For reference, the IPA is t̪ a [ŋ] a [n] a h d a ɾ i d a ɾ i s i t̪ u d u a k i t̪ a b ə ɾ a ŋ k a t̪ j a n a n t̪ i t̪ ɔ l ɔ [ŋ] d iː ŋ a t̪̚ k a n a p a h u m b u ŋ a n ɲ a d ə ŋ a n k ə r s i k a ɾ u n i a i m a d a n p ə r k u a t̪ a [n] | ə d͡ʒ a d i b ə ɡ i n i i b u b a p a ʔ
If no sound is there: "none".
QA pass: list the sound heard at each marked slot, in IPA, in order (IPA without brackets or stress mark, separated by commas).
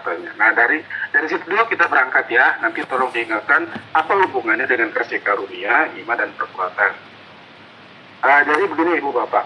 ɲ, n, ŋ, n